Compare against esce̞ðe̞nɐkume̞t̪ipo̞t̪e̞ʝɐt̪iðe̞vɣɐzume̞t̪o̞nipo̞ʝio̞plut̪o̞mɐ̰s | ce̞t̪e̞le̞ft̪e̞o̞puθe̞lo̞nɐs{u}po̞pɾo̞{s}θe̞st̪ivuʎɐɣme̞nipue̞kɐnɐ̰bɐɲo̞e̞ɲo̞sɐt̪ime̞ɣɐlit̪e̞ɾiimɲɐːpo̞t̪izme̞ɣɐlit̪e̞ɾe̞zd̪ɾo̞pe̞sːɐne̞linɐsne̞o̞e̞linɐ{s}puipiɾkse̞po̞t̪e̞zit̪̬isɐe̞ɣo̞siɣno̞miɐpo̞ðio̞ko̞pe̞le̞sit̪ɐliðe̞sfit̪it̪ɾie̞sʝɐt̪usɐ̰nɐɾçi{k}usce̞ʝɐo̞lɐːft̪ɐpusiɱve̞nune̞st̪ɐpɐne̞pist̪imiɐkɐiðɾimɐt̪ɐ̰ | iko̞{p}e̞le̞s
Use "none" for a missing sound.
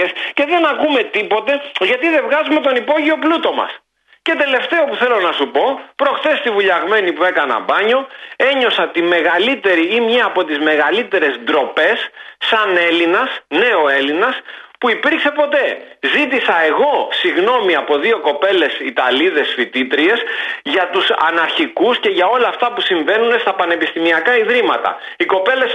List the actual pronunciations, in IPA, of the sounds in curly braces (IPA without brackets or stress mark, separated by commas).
u, x, s, k, p